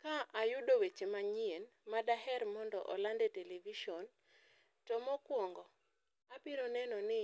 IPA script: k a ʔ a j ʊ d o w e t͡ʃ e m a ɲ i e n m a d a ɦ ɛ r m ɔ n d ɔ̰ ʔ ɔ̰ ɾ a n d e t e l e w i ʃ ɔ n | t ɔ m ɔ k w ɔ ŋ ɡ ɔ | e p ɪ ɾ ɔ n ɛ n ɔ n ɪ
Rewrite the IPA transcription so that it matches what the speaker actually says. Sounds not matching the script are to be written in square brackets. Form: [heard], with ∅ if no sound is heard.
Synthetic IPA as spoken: k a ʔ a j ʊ d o w e t͡ʃ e m a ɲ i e n m a d a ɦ ɛ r m ɔ n d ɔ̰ ʔ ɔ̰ [l] a n d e t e l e [v] i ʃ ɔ n | t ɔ m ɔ k w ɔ ŋ ɡ ɔ | [a] p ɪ ɾ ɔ n ɛ n ɔ n ɪ

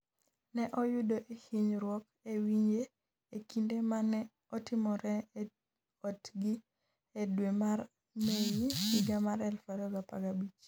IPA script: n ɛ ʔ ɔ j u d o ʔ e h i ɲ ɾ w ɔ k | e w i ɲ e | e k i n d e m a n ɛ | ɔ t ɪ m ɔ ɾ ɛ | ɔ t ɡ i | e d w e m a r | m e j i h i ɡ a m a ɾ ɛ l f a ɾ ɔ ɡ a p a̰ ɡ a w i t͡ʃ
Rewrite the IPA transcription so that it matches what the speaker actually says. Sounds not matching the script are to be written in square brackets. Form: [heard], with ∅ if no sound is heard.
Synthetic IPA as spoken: n ɛ ʔ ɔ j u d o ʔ e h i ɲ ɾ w ɔ k | e w i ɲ e | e k i n d e m a n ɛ | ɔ t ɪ m ɔ ɾ ɛ | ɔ t ɡ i | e d w e m a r | m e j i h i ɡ a m a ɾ ɛ l f a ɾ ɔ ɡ a p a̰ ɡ a [b] i t͡ʃ

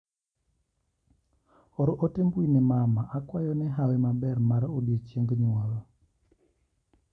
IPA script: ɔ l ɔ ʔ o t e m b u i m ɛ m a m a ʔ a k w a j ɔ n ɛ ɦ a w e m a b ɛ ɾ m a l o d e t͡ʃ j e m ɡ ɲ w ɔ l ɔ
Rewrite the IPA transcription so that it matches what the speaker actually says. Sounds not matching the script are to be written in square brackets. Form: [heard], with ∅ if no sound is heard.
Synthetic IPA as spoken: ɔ [ɾ] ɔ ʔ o t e m b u i [n] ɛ m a m a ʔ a k w a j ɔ n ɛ ɦ a w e m a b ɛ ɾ m a [ɾ] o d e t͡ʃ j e [ŋ] ɡ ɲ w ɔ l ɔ

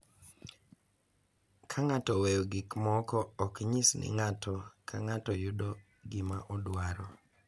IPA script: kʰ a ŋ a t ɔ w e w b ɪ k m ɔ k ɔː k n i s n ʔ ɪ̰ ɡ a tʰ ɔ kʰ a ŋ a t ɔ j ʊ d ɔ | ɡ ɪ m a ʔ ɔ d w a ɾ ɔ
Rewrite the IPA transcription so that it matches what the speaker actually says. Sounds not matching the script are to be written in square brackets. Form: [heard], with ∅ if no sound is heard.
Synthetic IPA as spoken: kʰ a ŋ a t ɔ w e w [ɡ] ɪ k m ɔ k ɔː k [ɲ] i s n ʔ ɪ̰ [ŋ] a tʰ ɔ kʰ a ŋ a t ɔ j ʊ d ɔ | ɡ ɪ m a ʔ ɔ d w a ɾ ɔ

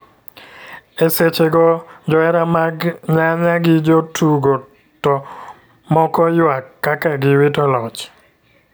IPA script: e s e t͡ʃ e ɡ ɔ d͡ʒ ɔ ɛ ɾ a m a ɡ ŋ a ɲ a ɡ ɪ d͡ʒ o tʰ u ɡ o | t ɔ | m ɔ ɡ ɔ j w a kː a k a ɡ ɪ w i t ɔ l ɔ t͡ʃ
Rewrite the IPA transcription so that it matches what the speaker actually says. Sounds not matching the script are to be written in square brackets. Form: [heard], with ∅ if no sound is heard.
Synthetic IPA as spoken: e s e t͡ʃ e ɡ ɔ d͡ʒ ɔ ɛ ɾ a m a ɡ [ɲ] a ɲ a ɡ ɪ d͡ʒ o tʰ u ɡ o | t ɔ | m ɔ [k] ɔ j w a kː a k a ɡ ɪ w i t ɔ l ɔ t͡ʃ

